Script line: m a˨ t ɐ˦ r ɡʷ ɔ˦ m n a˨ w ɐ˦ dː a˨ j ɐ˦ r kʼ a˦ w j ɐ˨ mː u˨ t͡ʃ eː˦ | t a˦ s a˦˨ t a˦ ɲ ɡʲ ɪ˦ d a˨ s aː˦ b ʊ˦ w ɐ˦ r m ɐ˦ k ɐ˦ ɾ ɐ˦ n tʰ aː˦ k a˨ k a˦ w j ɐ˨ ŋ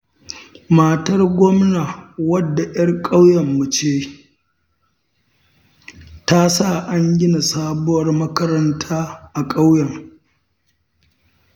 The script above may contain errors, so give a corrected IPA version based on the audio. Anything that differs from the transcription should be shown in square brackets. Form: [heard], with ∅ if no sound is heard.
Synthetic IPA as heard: m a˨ t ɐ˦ r ɡʷ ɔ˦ m n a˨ w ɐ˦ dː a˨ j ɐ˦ r kʼ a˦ w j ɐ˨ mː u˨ t͡ʃ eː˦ | t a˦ s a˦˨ [ʔ] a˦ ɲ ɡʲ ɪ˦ [n] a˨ s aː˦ b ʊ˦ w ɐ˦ r m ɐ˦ k ɐ˦ ɾ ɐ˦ n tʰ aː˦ [ʔ] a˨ [kʼ] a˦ w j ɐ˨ ŋ

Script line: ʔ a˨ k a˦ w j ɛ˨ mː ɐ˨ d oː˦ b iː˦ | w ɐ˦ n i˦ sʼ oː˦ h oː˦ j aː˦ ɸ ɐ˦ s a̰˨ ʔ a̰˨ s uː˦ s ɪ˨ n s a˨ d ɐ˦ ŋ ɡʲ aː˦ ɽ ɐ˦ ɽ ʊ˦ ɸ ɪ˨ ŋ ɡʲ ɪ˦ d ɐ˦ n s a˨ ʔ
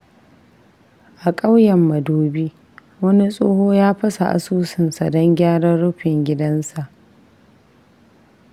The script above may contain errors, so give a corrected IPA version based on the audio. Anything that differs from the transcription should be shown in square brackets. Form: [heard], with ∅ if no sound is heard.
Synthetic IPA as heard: ʔ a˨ [kʼ] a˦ w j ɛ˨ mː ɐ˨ d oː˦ b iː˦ | w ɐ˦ n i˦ sʼ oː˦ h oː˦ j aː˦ ɸ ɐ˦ s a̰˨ ʔ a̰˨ s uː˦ s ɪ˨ n s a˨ d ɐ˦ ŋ ɡʲ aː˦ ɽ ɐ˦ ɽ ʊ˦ ɸ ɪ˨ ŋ ɡʲ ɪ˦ d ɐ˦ n s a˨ ʔ

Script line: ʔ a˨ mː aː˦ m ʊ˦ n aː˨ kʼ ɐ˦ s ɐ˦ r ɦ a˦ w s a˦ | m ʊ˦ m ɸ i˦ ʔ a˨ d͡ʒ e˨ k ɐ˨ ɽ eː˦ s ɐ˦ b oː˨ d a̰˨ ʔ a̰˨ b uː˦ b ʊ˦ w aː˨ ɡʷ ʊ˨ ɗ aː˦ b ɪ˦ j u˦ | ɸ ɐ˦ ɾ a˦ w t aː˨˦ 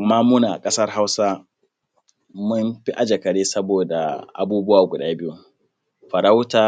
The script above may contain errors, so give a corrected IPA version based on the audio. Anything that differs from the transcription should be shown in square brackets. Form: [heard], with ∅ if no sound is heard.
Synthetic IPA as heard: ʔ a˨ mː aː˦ m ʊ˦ n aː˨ kʼ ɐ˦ s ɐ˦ r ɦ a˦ w s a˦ | m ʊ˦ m ɸ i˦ ʔ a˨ d͡ʒ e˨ k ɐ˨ ɽ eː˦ s ɐ˦ b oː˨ d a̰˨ ʔ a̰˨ b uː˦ b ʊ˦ w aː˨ ɡʷ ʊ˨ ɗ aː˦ b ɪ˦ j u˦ | ɸ [ɐ˨] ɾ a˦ w t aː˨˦

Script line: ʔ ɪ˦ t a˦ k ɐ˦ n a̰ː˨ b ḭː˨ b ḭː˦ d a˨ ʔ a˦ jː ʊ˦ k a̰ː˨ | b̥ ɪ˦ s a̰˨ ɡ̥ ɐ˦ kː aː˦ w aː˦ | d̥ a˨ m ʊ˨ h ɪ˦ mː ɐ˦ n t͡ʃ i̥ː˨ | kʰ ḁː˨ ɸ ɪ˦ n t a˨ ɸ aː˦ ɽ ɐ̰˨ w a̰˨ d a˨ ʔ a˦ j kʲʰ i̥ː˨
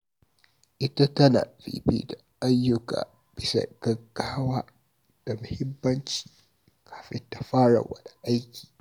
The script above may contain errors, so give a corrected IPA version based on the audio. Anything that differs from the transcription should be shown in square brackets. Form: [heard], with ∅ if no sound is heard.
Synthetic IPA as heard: ʔ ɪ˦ t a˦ [t] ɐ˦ n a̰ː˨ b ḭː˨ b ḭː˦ d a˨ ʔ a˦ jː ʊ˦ k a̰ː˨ | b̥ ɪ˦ s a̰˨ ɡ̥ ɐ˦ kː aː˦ w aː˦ | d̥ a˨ m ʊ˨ h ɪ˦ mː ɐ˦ n t͡ʃ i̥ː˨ | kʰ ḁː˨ ɸ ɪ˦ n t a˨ ɸ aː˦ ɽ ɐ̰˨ w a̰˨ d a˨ ʔ a˦ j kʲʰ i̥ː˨

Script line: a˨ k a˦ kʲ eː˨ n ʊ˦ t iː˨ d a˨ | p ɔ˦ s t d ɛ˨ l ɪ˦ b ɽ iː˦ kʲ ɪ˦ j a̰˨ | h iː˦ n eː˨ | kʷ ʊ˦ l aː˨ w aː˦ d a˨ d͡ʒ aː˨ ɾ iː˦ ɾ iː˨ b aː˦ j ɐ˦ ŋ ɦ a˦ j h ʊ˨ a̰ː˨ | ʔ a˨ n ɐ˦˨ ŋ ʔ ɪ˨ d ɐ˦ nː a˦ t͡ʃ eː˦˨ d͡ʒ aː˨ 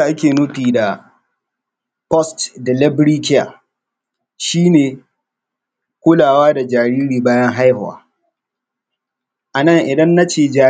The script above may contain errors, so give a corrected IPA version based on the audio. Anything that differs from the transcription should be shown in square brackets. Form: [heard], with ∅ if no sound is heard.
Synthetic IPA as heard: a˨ [ʔ] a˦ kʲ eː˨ n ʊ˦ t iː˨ d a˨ | p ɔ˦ s t d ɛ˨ l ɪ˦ b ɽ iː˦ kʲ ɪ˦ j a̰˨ | [ʃ] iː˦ n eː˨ | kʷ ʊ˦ l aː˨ w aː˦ d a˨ d͡ʒ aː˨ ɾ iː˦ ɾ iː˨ b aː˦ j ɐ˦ ŋ ɦ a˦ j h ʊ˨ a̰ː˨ | ʔ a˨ n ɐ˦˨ ŋ ʔ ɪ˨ d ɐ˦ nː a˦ t͡ʃ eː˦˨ d͡ʒ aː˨

